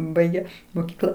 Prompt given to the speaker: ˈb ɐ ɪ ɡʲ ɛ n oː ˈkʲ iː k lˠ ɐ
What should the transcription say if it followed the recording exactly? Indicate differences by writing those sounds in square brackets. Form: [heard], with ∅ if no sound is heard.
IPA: ˈb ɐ ɪ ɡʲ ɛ [m] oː ˈkʲ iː k lˠ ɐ